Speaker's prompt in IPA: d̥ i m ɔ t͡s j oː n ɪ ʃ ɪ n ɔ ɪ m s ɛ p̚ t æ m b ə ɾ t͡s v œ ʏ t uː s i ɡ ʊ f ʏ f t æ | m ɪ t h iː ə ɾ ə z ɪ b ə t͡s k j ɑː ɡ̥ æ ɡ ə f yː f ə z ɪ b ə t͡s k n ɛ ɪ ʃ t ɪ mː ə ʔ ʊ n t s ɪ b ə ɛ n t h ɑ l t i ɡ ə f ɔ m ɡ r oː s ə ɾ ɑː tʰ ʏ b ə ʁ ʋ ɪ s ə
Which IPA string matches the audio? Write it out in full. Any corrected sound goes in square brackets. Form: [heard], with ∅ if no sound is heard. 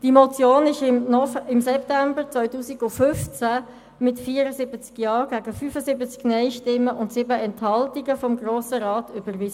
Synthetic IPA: d̥ i m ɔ t͡s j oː n ɪ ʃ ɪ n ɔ ɪ m s ɛ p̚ t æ m b ə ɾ t͡s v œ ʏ t uː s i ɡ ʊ f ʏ f [t͡s] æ | m ɪ t [f] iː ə ɾ ə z ɪ b ə t͡s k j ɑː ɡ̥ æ ɡ ə f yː f ə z ɪ b ə t͡s k n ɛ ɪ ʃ t ɪ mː ə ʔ ʊ n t s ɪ b ə ɛ n t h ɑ l t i ɡ ə f ɔ m ɡ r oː s ə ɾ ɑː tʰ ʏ b ə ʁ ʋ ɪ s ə